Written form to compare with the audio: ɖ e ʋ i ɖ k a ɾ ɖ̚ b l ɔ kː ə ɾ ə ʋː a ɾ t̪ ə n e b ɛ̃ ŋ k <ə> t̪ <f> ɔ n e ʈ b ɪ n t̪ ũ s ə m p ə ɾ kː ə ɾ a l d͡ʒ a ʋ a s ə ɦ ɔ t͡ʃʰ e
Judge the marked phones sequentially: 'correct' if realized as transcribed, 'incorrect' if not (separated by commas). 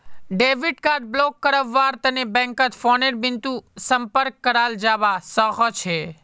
correct, correct